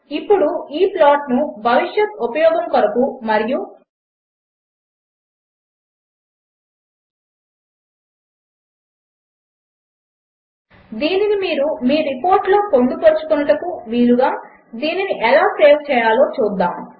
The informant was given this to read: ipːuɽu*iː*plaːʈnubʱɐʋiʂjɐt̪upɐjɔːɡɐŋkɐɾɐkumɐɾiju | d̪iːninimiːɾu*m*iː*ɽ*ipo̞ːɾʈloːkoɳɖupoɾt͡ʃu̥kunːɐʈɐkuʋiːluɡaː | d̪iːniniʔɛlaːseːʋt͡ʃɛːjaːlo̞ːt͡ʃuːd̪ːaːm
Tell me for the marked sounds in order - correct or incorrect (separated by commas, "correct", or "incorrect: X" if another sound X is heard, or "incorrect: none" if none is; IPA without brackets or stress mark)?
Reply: correct, correct, incorrect: ɾ